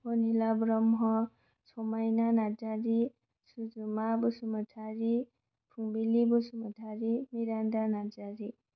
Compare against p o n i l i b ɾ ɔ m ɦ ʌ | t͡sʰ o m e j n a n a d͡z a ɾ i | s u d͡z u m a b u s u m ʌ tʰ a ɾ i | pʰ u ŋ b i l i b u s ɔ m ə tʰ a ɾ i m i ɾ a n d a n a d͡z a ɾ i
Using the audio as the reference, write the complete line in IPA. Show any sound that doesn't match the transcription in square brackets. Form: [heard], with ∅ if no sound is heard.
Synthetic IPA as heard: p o n i l [a] b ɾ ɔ m ɦ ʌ | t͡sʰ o m [a] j n a n a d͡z a ɾ i | s u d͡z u m a b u s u m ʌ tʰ a ɾ i | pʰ u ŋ b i l i b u s [u] m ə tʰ a ɾ i m i ɾ a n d a n a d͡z a ɾ i